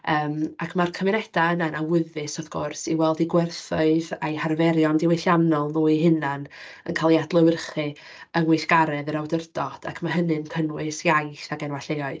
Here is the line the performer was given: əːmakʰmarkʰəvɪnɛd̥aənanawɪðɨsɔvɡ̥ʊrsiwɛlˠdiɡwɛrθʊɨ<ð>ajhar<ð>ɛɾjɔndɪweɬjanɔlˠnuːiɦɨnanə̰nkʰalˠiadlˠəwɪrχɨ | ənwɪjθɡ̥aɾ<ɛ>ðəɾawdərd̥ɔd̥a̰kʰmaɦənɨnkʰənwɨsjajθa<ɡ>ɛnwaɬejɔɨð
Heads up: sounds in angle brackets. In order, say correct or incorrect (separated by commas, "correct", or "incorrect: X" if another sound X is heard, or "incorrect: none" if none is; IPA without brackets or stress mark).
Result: correct, incorrect: v, correct, correct